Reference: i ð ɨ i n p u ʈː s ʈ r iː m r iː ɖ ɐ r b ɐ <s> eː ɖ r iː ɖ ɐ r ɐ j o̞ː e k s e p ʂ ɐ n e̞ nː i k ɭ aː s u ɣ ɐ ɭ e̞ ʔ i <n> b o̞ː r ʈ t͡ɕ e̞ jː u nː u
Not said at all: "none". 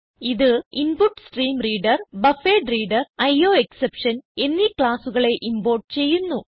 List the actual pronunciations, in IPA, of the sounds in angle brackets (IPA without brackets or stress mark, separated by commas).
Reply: f, m